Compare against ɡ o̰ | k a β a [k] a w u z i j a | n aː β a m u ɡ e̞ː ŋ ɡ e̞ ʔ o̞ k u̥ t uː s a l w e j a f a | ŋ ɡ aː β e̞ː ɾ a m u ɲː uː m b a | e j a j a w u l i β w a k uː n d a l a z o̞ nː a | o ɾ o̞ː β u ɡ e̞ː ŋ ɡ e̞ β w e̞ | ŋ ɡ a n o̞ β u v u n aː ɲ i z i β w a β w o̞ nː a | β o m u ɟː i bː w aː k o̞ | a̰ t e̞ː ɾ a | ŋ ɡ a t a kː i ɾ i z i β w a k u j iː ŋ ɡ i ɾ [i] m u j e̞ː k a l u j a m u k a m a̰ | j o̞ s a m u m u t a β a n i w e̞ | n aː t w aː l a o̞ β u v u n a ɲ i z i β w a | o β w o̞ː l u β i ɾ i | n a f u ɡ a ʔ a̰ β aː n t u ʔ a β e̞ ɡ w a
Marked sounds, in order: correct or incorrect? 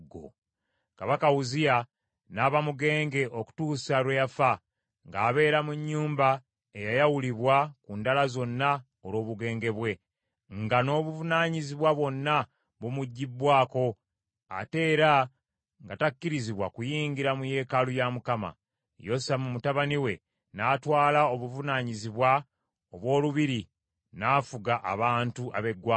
correct, incorrect: a

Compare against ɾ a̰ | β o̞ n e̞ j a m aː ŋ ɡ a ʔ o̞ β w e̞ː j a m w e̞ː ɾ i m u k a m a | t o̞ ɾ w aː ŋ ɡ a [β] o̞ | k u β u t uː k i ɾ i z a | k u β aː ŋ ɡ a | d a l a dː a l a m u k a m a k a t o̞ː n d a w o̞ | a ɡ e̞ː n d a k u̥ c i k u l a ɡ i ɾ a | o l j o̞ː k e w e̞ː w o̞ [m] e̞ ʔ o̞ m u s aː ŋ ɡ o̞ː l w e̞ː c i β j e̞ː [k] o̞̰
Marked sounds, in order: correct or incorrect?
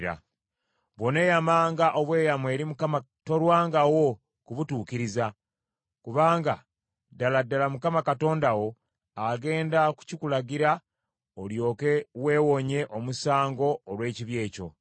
incorrect: w, incorrect: ɲ, incorrect: c

